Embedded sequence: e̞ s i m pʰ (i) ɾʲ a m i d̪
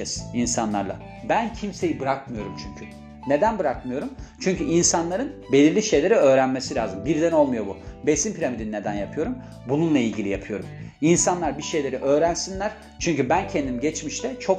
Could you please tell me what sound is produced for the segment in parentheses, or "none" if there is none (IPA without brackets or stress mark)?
i